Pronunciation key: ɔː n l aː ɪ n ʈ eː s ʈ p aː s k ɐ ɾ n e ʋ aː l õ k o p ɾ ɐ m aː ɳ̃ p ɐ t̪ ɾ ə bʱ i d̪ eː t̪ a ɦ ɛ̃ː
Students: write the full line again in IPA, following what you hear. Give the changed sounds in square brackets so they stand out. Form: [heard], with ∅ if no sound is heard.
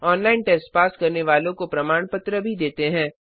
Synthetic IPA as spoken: ɔː n l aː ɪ n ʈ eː s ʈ p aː s k ɐ ɾ n e ʋ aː l õ k o p ɾ ɐ m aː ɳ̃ p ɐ t̪ ɾ ə bʱ i d̪ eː t̪ [e] ɦ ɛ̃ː